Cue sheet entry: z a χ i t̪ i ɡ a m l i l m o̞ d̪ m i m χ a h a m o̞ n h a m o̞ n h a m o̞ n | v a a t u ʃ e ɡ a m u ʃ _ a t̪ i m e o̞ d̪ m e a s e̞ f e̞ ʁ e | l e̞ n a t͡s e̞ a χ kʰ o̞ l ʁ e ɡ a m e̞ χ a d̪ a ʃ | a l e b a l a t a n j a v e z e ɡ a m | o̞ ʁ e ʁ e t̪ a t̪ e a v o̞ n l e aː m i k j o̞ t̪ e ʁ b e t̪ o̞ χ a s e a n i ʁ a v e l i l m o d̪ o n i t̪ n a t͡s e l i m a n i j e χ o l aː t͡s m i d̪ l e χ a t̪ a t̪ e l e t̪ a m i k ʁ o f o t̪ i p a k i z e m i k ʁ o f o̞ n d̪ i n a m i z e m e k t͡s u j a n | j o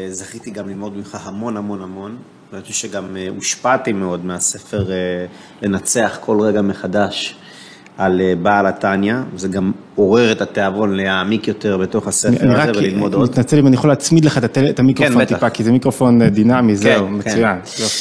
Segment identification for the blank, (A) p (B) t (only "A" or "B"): A